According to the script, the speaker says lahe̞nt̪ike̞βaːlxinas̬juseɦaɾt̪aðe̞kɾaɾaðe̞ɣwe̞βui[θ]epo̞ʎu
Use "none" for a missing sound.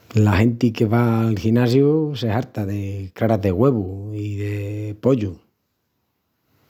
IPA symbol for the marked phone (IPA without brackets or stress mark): ð